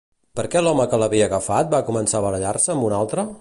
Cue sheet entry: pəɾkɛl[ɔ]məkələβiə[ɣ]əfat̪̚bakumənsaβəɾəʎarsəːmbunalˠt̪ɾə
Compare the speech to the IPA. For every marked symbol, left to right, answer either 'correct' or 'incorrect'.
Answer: correct, correct

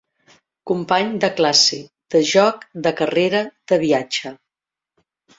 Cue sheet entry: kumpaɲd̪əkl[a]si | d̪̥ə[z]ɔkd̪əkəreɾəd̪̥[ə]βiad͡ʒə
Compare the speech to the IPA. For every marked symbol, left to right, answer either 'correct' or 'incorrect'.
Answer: correct, incorrect, correct

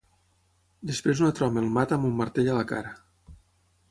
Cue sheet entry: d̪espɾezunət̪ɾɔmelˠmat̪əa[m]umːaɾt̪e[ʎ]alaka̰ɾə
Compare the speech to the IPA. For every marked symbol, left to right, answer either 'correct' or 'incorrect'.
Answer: correct, correct

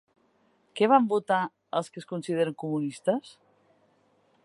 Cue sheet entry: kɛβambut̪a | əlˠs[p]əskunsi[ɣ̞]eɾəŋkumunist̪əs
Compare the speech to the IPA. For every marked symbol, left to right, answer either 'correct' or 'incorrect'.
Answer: incorrect, incorrect

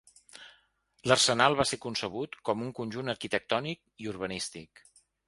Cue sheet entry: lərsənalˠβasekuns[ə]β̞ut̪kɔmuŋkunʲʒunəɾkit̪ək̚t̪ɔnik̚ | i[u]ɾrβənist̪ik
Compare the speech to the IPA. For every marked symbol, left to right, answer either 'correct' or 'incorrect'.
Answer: correct, correct

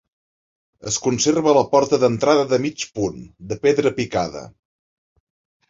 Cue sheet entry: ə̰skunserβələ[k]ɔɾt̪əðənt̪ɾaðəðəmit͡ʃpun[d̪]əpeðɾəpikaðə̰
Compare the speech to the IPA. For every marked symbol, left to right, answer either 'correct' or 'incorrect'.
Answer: incorrect, correct

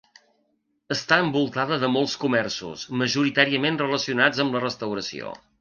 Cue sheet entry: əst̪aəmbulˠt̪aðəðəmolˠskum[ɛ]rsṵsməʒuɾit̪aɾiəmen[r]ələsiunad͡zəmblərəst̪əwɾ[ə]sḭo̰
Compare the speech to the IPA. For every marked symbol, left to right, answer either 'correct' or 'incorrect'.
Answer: correct, correct, correct

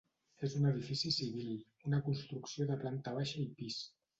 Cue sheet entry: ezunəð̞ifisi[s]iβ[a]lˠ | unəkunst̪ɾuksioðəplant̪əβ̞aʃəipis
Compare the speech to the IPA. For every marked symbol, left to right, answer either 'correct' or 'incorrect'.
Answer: correct, incorrect

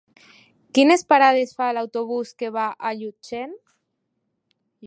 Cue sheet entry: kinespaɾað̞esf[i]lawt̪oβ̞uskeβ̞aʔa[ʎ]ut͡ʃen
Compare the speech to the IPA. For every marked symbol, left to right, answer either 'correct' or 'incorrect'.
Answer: incorrect, correct

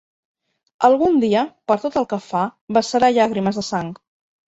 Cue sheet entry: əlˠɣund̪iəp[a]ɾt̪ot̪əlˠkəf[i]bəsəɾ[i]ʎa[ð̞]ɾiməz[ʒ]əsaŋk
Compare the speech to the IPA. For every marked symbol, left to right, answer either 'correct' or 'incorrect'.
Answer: incorrect, incorrect, incorrect, incorrect, incorrect

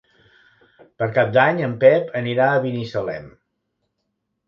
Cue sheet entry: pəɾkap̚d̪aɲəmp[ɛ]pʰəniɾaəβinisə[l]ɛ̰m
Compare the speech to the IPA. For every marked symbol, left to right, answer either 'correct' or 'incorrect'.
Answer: correct, correct

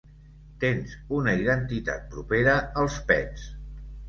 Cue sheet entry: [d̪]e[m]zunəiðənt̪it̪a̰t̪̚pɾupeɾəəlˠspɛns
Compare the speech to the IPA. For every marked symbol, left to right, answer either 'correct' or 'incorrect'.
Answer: incorrect, incorrect

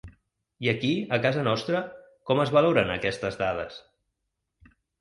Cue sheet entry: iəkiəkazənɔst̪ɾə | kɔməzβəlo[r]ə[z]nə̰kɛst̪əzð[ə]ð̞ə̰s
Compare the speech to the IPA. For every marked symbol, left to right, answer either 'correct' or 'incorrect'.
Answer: incorrect, incorrect, incorrect

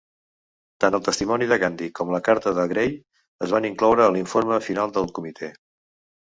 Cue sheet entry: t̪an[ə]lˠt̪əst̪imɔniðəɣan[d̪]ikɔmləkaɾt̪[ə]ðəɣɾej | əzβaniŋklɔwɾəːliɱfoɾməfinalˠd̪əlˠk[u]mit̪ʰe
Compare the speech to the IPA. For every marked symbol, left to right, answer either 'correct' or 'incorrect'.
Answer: correct, correct, correct, correct

